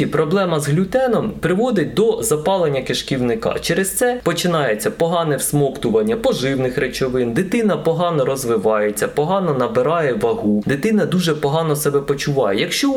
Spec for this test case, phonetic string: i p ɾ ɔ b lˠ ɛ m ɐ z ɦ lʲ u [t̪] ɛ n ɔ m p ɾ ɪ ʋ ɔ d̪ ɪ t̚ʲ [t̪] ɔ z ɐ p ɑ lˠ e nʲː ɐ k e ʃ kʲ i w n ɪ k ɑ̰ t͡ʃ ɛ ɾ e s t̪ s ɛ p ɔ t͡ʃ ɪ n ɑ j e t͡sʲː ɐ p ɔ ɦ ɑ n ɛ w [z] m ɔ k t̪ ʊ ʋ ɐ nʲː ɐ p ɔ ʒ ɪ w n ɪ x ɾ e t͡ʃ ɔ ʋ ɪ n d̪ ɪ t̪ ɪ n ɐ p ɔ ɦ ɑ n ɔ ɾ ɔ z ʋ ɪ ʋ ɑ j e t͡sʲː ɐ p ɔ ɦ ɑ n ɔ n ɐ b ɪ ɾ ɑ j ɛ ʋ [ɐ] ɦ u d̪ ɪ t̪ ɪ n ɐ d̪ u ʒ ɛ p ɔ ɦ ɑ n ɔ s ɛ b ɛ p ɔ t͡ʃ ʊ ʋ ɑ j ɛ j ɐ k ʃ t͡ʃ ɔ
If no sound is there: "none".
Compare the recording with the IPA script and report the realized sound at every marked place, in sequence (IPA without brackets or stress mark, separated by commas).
t̪, d̪, s, ɐ